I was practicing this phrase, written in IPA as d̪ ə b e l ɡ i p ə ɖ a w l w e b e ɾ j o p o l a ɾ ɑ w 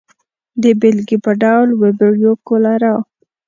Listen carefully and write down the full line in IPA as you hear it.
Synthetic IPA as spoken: d̪ ə b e l ɡ i p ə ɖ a w l w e b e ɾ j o k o l a ɾ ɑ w